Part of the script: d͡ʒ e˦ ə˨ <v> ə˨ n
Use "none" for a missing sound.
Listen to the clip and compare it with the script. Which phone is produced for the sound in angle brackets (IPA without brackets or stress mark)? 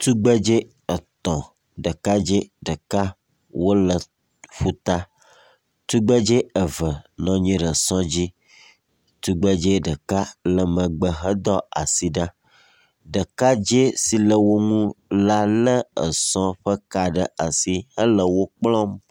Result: v